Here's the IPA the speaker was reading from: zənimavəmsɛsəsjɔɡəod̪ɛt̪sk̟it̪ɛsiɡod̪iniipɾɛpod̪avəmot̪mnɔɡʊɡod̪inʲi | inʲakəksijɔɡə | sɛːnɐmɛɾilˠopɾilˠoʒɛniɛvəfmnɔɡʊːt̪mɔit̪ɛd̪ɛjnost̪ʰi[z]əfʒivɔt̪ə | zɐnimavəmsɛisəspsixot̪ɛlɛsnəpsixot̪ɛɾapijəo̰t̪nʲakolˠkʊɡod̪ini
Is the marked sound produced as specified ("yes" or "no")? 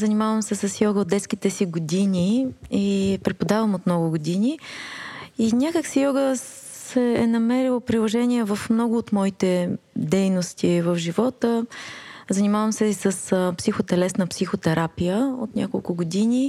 no